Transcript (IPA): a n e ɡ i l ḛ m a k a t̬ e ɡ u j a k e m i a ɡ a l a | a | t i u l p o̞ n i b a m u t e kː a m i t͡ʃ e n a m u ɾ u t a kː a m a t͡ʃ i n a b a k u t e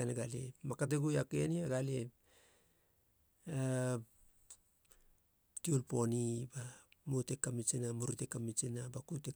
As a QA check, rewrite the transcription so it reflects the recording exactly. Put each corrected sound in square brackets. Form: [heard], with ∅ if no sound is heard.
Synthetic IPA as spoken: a n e ɡ [a] l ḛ m a k a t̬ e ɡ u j a k e [n] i a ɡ a l [e] | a | t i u l p o̞ n i b a m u t e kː a m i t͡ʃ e n a m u ɾ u t [e] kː a m [i] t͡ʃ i n a b a k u t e

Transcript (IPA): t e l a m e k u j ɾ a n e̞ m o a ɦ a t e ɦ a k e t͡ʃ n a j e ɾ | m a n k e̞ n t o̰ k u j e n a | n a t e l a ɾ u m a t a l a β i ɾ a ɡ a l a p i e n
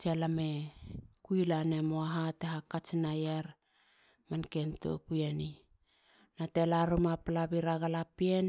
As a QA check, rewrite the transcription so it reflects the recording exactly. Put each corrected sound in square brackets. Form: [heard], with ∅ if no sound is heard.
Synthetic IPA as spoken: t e l a m e k u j [l] a n e̞ m o a ɦ a t e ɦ a k [a] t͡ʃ n a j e ɾ | m a n k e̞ n t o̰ k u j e n [i] | n a t e l a ɾ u m a [p] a l a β i ɾ a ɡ a l a p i e n

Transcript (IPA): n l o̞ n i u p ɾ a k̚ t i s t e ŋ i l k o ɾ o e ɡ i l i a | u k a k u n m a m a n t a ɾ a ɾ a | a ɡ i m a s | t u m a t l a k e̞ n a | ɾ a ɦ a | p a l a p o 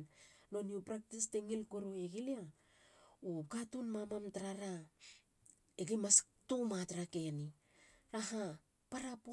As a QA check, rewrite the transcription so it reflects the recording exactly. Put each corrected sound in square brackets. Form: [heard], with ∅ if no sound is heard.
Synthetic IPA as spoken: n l o̞ n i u p ɾ a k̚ t i s t e ŋ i l k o ɾ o e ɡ i l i a | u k a [t] u n m a m a [m] t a ɾ a ɾ a | [e] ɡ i m a s | t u m a t [ɾ] a k e̞ n [i] | ɾ a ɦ a | p a [ɾ] a p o

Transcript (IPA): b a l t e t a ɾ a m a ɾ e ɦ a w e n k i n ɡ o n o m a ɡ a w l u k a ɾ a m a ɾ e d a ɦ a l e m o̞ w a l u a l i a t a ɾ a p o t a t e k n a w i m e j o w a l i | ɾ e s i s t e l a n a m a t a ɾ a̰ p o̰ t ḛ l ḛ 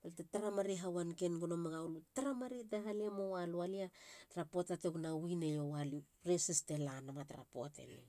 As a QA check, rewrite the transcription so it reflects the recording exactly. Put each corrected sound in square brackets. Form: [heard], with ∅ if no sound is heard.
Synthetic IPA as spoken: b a l t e t a ɾ a m a ɾ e ɦ a w [a] n k [e] n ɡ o n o m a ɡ a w l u [t] a ɾ a m a ɾ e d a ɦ a l e m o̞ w a l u a l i a t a ɾ a p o t a t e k n a w i [n] e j o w a l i | ɾ e s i s t e l a n a m a t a ɾ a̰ p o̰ t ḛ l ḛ

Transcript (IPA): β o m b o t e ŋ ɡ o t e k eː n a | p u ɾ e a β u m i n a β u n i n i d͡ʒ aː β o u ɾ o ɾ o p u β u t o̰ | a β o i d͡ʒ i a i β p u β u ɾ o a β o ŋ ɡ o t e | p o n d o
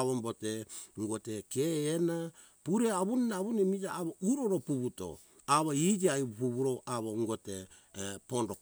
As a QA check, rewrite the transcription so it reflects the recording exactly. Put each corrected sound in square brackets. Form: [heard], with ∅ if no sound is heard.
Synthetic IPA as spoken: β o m b o t e ŋ ɡ o t e k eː n a | p u ɾ e a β u [n] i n a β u n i [m] i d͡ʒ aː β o u ɾ o ɾ o p u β u t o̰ | a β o i d͡ʒ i a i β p u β u ɾ o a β o ŋ ɡ o t e | p o n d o

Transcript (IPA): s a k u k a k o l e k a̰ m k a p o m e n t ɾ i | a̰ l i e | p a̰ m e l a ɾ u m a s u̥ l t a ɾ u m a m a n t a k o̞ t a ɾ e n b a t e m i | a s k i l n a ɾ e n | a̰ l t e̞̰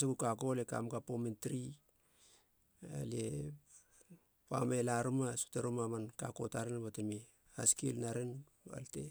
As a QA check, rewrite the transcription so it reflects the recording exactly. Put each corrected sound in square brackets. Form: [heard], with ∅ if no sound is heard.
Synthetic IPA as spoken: s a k u k a k o l e k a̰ m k a p o m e n t ɾ i | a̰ l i e | p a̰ m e l a ɾ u m a s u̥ [∅] t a ɾ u m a m a n [k] a k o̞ t a ɾ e n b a t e m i | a s k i l n a ɾ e n | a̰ l t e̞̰

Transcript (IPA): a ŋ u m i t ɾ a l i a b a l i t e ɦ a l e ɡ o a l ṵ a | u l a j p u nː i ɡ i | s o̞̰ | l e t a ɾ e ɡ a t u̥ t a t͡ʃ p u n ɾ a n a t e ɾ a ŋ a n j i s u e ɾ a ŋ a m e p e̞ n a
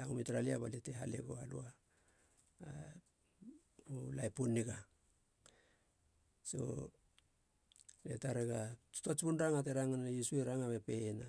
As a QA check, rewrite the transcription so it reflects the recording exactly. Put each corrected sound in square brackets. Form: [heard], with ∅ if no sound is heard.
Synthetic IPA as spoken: a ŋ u m i t ɾ a l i a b a l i t e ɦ a l e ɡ o a l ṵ a | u l a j p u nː i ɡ [a] | s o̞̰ | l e t a ɾ e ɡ a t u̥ t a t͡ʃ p u n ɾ a [ŋ] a t e ɾ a ŋ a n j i s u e ɾ a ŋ a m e p e̞ n a

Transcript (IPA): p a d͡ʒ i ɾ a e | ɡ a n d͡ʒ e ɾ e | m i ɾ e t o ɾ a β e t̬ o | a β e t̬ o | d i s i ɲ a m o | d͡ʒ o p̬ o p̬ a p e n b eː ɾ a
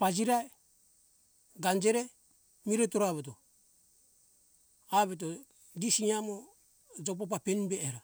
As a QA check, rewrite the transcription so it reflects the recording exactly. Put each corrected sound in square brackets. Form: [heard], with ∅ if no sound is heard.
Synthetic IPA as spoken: p a d͡ʒ i ɾ a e | ɡ a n d͡ʒ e ɾ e | m i ɾ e t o ɾ a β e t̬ o | a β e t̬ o | d i s i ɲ a m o | d͡ʒ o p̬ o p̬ a p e n b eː ɾ a

